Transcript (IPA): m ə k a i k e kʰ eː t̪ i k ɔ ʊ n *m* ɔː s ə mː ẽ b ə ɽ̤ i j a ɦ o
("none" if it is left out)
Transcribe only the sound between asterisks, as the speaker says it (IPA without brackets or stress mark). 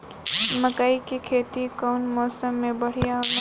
m